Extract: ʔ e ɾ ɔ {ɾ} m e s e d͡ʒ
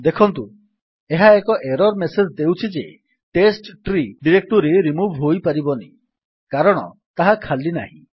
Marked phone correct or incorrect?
correct